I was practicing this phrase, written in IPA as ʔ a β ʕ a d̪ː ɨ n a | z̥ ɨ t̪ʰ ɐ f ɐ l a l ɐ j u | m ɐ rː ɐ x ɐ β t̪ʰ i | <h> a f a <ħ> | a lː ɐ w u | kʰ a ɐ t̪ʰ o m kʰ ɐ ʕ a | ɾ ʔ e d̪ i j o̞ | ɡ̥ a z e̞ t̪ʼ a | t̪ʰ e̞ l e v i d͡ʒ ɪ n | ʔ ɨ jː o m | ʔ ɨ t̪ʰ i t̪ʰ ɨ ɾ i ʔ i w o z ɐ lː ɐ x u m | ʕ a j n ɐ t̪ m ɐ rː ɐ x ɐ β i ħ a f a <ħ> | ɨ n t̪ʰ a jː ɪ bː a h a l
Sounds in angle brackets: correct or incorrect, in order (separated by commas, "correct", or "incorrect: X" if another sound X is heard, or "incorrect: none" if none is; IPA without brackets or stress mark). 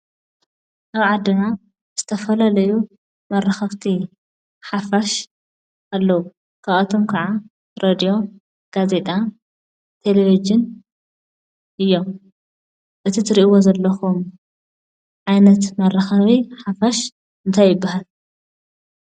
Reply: incorrect: ħ, incorrect: ʃ, incorrect: ʃ